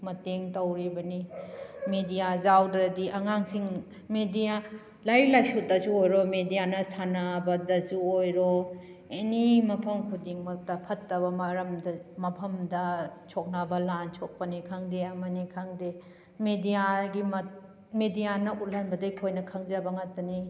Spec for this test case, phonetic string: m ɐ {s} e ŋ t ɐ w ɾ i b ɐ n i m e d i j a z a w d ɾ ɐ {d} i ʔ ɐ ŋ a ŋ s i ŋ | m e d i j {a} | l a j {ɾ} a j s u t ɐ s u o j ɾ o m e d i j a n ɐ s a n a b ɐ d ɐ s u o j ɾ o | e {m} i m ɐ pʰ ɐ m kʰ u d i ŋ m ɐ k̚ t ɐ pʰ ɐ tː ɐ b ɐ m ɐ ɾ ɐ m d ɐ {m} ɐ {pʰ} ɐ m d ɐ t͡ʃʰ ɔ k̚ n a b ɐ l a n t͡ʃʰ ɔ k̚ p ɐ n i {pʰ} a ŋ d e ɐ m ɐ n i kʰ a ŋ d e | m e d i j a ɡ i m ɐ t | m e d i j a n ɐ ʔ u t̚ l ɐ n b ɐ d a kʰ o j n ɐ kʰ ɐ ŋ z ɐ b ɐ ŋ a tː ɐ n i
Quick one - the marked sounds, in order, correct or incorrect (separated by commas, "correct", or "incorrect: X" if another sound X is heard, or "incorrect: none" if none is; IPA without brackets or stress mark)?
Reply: incorrect: t, correct, correct, incorrect: l, incorrect: n, correct, correct, incorrect: kʰ